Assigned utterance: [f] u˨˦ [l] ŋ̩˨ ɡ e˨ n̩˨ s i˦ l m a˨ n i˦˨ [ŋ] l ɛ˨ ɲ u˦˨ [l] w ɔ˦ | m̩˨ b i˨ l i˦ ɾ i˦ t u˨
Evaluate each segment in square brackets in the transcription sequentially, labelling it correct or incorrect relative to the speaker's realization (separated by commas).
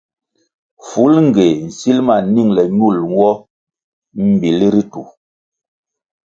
correct, correct, correct, correct